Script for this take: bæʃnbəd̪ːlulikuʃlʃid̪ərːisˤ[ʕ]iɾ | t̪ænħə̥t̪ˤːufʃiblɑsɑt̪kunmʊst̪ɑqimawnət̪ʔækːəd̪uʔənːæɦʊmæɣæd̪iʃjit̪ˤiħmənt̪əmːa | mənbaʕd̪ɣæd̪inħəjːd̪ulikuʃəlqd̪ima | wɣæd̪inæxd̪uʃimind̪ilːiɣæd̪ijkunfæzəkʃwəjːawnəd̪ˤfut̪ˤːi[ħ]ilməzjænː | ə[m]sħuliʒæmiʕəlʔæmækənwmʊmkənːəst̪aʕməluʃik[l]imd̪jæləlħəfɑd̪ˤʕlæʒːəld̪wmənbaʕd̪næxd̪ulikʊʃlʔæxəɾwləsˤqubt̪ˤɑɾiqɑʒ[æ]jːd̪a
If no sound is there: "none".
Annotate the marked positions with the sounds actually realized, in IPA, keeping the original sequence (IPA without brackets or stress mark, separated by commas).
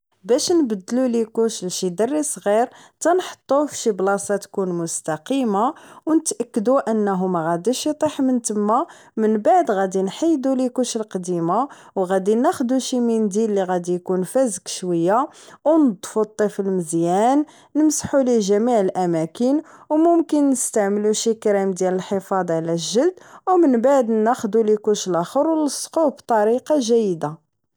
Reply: ɣ, f, m, ɾ, æ